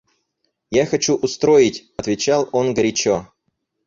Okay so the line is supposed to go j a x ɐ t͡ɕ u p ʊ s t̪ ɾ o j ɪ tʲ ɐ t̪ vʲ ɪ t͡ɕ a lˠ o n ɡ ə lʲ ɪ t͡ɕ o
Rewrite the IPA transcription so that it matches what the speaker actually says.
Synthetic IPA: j a x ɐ t͡ɕ u ʔ ʊ s t̪ ɾ o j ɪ tʲ ɐ t̪ vʲ ɪ t͡ɕ a lˠ o n ɡ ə ɾʲ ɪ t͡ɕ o

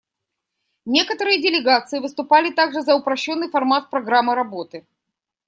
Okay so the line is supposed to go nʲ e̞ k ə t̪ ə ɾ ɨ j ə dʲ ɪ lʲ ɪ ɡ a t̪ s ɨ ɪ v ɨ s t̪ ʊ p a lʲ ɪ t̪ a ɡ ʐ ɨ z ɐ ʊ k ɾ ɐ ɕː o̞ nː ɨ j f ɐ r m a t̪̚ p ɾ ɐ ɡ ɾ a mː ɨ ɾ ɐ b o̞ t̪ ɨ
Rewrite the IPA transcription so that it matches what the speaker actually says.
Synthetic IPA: nʲ e̞ k ə t̪ ə ɾ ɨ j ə dʲ ɪ lʲ ɪ ɡ a t̪ s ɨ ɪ v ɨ s t̪ ʊ p a lʲ ɪ t̪ a ɡ ʐ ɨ z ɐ ʊ p ɾ ɐ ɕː o̞ nː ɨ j f ɐ r m a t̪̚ p ɾ ɐ ɡ ɾ a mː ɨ ɾ ɐ b o̞ t̪ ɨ

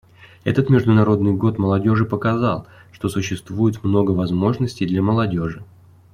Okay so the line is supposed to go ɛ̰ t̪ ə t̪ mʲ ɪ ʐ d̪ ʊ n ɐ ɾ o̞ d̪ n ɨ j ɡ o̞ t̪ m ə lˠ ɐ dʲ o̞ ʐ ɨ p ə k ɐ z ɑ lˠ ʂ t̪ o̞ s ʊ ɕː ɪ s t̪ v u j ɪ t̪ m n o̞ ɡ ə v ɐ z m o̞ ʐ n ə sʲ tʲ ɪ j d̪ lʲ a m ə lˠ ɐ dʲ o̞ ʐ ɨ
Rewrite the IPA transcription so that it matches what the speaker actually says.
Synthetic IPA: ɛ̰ t̪ ə t̪ mʲ ɪ ʐ d̪ ʊ n ɐ ɾ o̞ d̪ n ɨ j ɡ o̞ t̪ m ə lˠ ɐ dʲ o̞ ʐ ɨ p ə k ɐ z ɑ lˠ ʂ t̪ o̞ s ʊ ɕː ɪ s t̪ v u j ɪ t̪ m n o̞ ɡ ə v ɐ z m o̞ ʐ n ə sʲ tʲ ɪ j d̪ lʲ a m ə lˠ ɐ dʲ o̞ ʐ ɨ

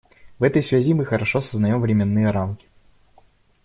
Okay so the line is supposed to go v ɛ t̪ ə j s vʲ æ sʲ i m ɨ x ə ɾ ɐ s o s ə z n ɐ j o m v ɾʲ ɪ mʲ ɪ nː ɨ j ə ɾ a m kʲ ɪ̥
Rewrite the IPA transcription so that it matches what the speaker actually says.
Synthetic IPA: v ɛ t̪ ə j s vʲ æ zʲ i m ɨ x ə ɾ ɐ ʂ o s ə z n ɐ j o m v ɾʲ ɪ mʲ ɪ nː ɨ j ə ɾ a m kʲ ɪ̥

